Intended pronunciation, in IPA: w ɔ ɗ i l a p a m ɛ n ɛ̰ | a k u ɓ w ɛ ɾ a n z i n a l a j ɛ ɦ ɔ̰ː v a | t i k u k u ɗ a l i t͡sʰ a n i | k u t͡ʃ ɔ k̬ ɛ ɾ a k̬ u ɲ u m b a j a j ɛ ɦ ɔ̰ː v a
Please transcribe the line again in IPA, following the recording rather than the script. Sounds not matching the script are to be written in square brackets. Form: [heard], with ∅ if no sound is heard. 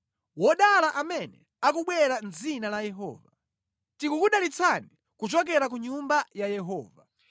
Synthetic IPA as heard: w ɔ ɗ [a] l a [ʔ] a m ɛ n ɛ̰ | a k u ɓ w ɛ ɾ a n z i n a l a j ɛ ɦ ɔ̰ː v a | t i k u k u ɗ a l i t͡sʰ a n i | k u t͡ʃ ɔ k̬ ɛ ɾ a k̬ u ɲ u m b a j a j ɛ ɦ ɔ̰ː v a